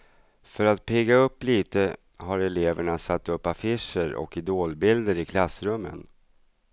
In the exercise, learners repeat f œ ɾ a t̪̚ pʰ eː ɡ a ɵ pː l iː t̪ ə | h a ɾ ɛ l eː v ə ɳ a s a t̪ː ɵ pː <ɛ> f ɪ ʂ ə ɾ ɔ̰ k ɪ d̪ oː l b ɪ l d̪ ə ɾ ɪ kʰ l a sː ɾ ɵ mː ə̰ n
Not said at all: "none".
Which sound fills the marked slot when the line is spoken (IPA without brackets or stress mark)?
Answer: a